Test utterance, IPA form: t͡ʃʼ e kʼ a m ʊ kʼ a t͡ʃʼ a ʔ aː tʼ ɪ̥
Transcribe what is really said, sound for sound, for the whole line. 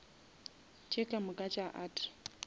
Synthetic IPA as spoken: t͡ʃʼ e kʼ a m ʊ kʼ a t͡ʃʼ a ʔ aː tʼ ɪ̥